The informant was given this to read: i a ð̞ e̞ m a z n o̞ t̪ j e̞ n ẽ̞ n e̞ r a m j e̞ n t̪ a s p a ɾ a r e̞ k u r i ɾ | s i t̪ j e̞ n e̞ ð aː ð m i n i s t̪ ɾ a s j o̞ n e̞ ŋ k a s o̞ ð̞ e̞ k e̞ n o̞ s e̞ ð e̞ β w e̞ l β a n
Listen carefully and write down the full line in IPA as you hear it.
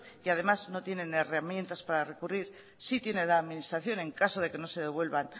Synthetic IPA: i a ð̞ e̞ m a z n o̞ t̪ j e̞ n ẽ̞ n e̞ r a m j e̞ n t̪ a s p a ɾ a r e̞ k u r i ɾ | s i t̪ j e̞ n e̞ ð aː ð m i n i s t̪ ɾ a θ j o̞ n e̞ ŋ k a s o̞ ð̞ e̞ k e̞ n o̞ s e̞ ð e̞ β w e̞ l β a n

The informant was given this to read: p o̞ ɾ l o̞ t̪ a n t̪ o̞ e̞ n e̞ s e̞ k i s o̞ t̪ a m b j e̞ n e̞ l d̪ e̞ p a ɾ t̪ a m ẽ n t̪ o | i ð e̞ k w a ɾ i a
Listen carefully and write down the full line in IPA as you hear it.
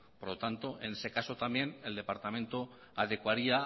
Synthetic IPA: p o̞ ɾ l o̞ t̪ a n t̪ o̞ e̞ n e̞ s e̞ k a s o̞ t̪ a m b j e̞ n e̞ l d̪ e̞ p a ɾ t̪ a m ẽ n t̪ o | a ð e̞ k w a ɾ i a

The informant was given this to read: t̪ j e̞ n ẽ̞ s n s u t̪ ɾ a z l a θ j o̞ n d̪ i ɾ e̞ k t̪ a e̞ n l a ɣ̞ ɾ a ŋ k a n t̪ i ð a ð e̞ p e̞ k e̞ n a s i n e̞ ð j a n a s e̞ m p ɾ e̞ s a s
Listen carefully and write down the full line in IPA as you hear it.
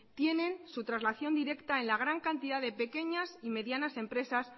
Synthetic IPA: t̪ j e̞ n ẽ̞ n s u t̪ ɾ a z l a θ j o̞ n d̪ i ɾ e̞ k t̪ a e̞ n l a ɣ̞ ɾ a ŋ k a n t̪ i ð a ð e̞ p e̞ k e̞ ɲ a s i m e̞ ð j a n a s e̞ m p ɾ e̞ s a s

